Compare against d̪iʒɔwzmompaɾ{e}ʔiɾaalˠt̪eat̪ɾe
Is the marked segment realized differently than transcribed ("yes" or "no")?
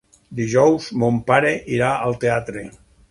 no